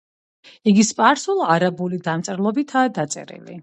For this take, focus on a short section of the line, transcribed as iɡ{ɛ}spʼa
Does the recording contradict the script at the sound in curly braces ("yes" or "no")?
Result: yes